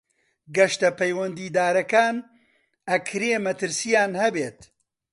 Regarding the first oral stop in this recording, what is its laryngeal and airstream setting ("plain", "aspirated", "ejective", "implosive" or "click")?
plain